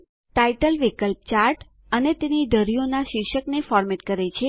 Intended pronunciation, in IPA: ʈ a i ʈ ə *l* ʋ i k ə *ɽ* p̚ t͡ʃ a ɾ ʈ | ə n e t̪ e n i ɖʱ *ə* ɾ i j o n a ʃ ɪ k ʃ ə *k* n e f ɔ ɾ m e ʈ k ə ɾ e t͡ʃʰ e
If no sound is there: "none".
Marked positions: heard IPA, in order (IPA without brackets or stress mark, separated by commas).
l, l, ə, k